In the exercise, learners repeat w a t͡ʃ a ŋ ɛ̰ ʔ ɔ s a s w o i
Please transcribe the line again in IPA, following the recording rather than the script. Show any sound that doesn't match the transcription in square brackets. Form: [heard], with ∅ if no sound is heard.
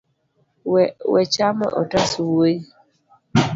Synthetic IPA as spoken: w [ɛ] t͡ʃ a [m] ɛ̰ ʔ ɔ [t] a s w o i